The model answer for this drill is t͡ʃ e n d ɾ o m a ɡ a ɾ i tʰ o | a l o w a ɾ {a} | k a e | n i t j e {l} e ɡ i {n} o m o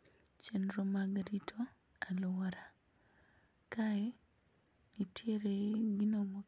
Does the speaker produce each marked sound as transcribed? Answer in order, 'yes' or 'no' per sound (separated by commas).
yes, no, yes